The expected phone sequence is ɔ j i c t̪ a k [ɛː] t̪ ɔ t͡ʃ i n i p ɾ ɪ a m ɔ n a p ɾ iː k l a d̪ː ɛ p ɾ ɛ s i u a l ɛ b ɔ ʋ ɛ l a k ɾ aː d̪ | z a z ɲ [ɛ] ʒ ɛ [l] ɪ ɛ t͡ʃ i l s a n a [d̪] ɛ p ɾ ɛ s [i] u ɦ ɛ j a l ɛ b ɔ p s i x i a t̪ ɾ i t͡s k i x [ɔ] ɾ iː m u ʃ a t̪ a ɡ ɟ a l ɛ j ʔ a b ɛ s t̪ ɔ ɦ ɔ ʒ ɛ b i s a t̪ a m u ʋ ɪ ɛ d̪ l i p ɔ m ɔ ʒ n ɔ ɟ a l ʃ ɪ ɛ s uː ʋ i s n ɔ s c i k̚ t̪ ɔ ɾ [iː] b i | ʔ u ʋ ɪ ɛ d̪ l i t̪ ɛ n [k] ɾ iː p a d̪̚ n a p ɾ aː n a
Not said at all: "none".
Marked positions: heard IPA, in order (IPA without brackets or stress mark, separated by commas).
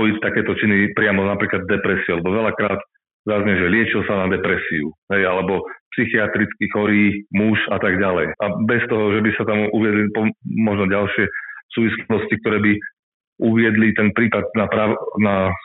ɛː, ɛ, l, d̪, i, ɔ, ɛː, p